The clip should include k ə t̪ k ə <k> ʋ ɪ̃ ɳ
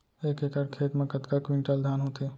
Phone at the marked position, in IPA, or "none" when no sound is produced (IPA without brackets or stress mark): k